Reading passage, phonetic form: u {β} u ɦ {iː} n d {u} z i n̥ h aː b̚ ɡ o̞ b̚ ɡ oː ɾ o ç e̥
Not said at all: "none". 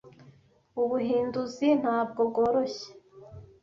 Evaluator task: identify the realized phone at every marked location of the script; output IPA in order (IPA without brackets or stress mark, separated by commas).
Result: β, iː, u